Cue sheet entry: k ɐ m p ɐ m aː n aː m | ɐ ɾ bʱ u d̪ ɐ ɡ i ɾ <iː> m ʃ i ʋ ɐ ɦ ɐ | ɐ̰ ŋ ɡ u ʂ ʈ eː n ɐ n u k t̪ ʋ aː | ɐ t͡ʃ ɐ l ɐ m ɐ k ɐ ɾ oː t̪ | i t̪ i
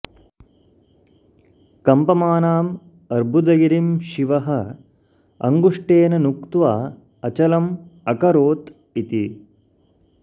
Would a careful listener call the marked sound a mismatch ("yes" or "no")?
yes